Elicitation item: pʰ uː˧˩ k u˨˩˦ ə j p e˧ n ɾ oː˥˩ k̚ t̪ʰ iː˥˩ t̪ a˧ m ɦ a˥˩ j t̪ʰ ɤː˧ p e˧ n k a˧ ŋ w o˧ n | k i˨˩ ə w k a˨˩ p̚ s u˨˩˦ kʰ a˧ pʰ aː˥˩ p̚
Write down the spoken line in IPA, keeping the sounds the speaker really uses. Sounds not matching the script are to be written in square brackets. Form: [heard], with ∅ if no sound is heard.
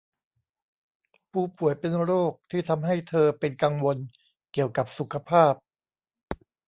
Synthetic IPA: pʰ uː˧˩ [p] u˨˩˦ ə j p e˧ n ɾ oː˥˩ k̚ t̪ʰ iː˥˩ [t̪ʰ] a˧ m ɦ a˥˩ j t̪ʰ ɤː˧ p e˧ n k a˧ ŋ w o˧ n | k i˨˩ ə w k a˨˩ p̚ s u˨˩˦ kʰ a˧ pʰ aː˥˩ p̚